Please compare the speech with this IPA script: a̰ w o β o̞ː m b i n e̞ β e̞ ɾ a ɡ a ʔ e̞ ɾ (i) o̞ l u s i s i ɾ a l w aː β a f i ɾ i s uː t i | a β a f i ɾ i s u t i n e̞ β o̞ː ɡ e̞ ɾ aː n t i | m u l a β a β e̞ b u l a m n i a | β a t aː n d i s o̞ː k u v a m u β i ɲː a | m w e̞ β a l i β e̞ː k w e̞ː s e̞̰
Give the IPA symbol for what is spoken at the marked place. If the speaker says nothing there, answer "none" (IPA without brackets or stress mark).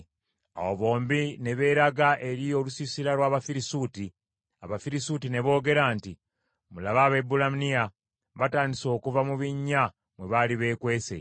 i